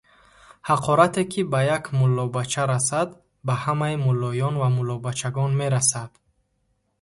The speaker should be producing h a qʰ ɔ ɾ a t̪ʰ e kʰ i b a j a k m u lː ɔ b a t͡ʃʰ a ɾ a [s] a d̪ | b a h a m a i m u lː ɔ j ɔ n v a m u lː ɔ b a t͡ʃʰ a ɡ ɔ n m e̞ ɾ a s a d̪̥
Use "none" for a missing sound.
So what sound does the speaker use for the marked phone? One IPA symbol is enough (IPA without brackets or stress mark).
s